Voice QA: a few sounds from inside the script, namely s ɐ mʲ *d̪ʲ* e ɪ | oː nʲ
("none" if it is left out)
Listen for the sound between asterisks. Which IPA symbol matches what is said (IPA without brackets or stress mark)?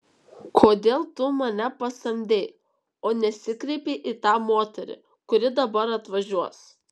d̪ʲ